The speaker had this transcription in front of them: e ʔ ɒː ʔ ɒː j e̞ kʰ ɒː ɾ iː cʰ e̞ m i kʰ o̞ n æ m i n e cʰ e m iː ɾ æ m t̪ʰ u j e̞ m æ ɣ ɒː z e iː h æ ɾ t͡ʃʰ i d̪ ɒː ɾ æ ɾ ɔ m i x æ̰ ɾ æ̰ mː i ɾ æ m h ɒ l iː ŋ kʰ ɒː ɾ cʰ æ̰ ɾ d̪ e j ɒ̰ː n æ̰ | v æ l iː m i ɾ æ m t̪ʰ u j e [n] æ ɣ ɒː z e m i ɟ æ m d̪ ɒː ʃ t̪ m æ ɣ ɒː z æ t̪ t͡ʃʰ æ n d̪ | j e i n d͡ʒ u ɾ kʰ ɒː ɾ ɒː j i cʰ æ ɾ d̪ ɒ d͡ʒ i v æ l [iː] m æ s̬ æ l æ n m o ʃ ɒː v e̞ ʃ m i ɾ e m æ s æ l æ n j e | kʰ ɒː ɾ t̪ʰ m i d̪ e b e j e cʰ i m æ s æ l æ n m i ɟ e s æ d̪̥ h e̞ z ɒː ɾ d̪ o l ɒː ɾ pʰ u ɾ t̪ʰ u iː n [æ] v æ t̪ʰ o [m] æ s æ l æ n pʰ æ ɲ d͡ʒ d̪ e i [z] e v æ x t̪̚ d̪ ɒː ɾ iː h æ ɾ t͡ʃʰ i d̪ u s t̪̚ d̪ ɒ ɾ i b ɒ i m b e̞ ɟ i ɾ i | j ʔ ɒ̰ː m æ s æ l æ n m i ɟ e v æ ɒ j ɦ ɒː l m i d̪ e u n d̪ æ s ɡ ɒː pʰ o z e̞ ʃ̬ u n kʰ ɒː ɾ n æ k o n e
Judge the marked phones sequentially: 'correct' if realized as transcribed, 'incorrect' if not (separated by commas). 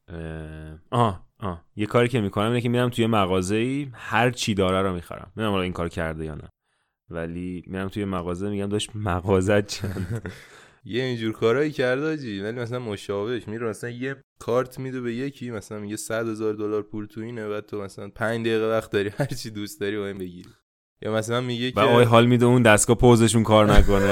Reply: incorrect, incorrect, incorrect, correct, incorrect